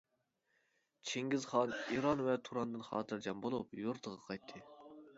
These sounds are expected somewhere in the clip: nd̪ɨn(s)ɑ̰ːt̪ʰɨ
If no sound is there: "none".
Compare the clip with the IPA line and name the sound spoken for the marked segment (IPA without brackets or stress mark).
χ